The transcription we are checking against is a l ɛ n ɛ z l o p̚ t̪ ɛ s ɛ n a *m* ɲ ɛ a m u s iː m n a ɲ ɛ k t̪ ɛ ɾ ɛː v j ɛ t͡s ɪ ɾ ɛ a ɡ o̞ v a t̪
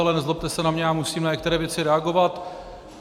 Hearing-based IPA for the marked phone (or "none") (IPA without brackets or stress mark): m